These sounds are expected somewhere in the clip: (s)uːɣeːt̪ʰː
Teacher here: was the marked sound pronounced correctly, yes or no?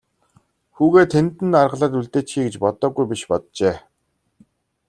no